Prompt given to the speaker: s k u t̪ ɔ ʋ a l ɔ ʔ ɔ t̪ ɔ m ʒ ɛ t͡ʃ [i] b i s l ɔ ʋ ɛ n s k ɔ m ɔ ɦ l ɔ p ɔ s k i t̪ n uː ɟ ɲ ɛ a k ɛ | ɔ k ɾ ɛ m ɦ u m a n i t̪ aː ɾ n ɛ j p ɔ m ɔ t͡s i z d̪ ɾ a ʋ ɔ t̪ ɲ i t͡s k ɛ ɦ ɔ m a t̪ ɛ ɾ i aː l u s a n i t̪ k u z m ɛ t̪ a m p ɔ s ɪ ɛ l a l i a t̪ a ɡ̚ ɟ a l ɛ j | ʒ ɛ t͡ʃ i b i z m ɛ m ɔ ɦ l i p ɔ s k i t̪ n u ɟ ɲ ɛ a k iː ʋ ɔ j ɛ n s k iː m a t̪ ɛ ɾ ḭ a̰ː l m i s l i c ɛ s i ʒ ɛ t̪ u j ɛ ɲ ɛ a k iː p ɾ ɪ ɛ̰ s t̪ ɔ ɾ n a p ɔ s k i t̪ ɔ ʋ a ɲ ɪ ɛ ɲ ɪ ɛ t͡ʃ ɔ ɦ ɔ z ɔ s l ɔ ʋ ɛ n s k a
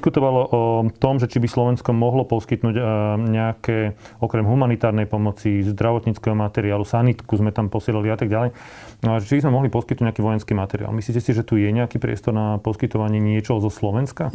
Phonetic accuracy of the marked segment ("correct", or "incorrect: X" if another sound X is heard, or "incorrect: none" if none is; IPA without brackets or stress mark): correct